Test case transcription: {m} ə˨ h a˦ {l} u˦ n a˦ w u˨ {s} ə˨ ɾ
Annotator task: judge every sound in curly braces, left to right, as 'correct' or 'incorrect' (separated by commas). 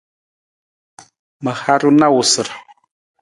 correct, incorrect, correct